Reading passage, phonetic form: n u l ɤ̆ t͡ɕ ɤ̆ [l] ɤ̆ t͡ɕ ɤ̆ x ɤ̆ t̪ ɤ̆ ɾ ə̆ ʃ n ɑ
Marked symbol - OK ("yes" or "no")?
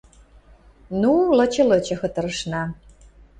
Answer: yes